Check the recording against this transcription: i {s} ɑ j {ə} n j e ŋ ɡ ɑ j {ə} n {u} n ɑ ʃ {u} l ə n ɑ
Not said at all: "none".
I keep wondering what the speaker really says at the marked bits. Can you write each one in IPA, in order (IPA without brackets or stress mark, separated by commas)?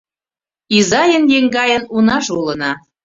z, ə, ə, u, u